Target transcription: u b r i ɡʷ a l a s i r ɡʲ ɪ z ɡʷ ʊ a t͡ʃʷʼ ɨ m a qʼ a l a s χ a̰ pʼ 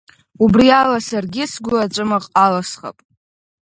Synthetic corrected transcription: u b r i a l a s a r ɡʲ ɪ s ɡʷ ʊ a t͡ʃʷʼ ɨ m a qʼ a l a s χ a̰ pʼ